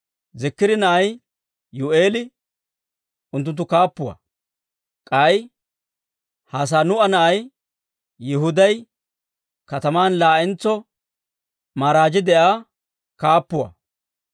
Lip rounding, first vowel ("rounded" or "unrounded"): unrounded